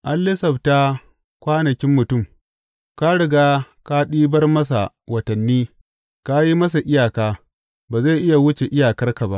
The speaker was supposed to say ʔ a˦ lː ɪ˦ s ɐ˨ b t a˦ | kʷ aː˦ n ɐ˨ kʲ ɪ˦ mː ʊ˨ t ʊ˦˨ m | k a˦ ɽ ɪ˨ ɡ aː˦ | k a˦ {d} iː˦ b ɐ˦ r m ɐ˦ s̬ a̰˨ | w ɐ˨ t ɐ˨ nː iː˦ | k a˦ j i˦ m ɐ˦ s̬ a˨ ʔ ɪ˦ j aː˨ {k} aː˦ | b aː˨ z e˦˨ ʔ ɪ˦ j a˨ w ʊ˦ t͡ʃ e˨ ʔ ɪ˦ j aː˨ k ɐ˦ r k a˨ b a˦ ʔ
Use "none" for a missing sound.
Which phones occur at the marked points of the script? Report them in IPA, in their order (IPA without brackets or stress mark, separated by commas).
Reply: ɗ, k